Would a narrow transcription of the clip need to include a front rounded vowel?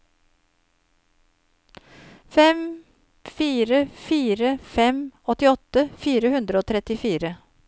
no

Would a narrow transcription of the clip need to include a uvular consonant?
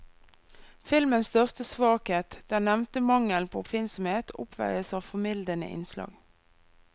yes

